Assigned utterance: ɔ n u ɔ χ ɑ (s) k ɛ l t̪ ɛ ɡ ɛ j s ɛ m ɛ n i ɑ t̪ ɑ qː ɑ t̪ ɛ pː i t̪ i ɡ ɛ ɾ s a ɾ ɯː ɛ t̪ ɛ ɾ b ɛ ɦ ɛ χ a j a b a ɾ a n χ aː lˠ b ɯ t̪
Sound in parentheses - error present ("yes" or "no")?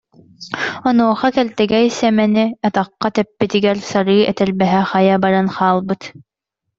yes